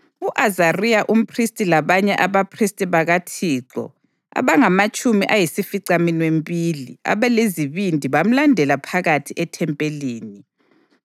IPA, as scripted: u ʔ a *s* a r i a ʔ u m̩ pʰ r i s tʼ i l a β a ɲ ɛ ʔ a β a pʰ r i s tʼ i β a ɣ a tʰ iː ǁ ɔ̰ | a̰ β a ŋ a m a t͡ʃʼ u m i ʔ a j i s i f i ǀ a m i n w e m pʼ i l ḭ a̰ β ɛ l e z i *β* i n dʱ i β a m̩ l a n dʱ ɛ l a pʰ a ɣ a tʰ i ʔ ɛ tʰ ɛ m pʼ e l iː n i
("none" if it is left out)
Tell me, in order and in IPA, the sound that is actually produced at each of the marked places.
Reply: z, β

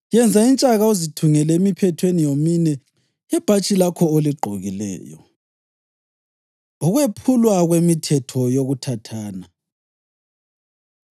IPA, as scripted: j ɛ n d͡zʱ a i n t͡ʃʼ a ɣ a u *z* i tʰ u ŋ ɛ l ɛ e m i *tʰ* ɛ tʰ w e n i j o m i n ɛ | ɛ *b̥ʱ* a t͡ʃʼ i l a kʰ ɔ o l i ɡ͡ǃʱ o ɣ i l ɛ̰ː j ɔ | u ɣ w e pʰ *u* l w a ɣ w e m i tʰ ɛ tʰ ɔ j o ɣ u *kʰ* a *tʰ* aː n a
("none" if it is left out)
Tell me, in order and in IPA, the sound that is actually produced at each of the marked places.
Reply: z, pʰ, b̥ʱ, u, tʰ, tʰ

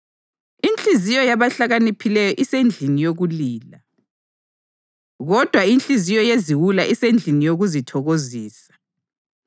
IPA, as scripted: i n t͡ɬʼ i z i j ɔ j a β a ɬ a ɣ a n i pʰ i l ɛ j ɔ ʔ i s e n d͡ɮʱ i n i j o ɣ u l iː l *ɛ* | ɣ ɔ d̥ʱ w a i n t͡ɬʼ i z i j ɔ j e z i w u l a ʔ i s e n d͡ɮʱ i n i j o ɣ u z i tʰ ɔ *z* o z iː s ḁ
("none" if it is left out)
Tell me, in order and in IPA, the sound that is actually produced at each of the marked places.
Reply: a, ɣ

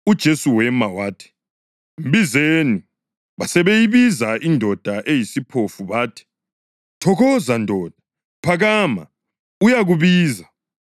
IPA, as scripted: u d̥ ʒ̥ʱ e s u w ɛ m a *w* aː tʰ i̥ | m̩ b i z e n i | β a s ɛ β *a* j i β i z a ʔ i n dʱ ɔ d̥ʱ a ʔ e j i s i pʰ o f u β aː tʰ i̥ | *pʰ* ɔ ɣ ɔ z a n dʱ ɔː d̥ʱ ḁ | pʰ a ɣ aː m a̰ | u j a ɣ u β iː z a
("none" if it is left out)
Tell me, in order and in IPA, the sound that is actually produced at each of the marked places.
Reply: w, e, tʰ

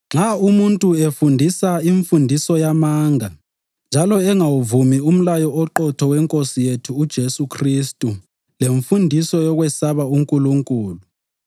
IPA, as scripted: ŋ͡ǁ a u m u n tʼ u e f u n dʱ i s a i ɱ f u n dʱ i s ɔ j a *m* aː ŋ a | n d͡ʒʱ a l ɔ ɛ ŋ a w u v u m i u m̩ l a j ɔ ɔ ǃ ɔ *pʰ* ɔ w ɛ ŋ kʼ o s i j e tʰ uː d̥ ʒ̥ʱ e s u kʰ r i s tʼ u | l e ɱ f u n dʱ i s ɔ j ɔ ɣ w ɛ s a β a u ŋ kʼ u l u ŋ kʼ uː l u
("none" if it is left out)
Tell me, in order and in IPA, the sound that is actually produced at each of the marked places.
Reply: m, tʰ

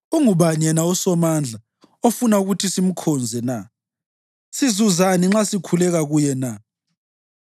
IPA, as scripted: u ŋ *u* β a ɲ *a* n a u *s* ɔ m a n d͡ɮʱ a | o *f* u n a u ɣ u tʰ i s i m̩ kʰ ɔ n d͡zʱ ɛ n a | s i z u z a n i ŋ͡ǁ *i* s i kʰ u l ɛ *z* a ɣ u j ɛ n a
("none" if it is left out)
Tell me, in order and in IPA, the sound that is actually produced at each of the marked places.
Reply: u, ɛ, s, f, a, ɣ

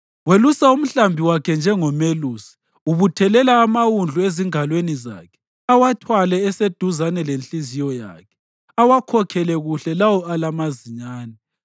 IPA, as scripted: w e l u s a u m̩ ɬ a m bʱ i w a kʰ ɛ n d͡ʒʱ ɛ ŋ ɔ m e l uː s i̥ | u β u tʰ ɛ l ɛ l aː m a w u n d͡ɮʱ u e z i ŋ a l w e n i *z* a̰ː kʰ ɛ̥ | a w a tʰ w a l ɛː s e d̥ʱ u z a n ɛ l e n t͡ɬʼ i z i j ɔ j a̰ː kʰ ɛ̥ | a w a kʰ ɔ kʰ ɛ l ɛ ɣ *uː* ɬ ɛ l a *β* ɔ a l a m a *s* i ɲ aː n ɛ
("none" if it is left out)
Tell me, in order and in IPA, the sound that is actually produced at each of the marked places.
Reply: z, u, w, z

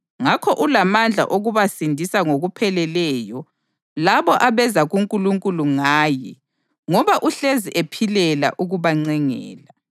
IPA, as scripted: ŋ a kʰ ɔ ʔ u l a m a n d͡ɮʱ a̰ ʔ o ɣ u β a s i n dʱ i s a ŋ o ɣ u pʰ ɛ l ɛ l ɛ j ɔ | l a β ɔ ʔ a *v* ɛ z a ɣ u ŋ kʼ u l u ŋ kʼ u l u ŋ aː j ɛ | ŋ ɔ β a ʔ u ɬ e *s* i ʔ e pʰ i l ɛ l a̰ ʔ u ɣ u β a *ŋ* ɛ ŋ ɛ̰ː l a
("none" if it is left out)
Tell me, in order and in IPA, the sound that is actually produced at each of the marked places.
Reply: β, z, ŋ͡ǀ

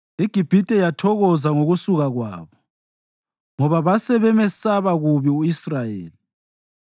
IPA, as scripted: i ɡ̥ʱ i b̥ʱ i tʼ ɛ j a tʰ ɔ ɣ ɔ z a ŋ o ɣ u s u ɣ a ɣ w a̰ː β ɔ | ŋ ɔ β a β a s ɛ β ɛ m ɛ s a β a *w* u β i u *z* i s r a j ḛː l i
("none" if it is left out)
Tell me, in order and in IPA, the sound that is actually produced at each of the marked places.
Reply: ɣ, none

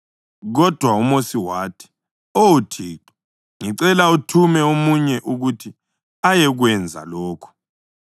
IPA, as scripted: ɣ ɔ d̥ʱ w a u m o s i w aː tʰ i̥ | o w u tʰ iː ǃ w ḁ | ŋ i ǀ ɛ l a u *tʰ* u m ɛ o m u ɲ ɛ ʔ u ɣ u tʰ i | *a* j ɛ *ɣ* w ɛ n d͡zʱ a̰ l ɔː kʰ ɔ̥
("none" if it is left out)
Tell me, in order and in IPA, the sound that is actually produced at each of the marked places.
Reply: tʰ, a, ɣ

